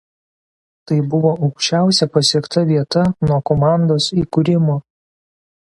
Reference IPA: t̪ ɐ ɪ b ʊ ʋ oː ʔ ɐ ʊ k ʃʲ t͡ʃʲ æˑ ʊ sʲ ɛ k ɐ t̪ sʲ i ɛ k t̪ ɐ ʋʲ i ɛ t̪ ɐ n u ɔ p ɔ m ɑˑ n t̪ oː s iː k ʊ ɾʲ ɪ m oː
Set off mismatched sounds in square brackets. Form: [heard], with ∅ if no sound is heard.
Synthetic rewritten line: t̪ ɐ ɪ b ʊ ʋ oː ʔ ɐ ʊ k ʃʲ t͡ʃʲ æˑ ʊ sʲ ɛ [p] ɐ [∅] sʲ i ɛ k t̪ ɐ ʋʲ i ɛ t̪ ɐ n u ɔ [k] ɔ m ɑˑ n [d̪] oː s iː k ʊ ɾʲ ɪ m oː